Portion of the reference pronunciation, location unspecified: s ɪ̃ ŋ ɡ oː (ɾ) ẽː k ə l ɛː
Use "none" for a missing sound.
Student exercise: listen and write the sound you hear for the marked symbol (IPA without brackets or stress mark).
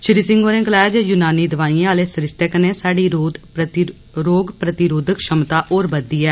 ɾ